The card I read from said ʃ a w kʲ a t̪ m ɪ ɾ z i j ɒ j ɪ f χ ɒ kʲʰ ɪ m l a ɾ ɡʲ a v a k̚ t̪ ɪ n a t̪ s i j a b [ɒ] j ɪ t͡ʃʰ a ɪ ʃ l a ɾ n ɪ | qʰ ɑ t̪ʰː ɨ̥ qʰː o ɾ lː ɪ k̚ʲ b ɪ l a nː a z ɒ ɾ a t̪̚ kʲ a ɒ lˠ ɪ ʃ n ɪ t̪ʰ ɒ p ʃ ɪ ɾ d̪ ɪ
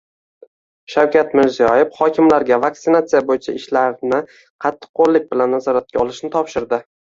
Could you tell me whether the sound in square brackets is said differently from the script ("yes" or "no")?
yes